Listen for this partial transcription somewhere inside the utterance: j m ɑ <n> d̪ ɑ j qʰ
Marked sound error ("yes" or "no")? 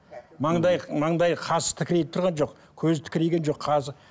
yes